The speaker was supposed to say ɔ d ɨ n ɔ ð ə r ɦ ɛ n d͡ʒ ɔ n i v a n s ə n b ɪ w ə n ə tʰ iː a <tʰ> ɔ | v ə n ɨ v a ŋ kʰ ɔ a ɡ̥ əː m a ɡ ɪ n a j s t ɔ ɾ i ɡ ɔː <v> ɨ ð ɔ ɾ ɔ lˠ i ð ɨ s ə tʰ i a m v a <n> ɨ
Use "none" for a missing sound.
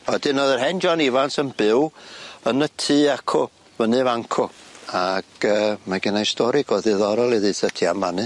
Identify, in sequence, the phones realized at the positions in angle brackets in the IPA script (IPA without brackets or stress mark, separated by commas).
kʰ, ð, n